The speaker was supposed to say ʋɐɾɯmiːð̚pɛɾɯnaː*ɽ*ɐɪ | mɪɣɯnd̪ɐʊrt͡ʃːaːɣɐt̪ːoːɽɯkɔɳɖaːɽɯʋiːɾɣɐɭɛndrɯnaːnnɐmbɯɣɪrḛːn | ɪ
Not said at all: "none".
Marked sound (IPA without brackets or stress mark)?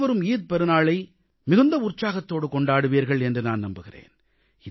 ɭ